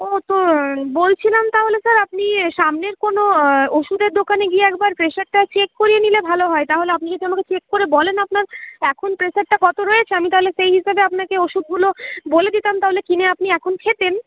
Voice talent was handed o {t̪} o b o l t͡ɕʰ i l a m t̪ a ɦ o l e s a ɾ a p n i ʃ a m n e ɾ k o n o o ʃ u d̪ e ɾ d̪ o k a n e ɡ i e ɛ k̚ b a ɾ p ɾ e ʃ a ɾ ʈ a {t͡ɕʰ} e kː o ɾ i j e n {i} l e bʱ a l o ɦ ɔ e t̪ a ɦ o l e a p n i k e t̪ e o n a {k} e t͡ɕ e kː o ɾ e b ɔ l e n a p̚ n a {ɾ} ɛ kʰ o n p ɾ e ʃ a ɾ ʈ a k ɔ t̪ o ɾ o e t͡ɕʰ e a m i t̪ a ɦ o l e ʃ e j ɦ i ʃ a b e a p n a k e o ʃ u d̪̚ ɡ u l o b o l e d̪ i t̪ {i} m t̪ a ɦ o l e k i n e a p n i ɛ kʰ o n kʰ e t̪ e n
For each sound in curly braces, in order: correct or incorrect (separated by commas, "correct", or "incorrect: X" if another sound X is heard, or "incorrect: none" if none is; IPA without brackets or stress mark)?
correct, incorrect: t͡ɕ, correct, correct, correct, incorrect: a